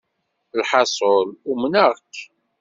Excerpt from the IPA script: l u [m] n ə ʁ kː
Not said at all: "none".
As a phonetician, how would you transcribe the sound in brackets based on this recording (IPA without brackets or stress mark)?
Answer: m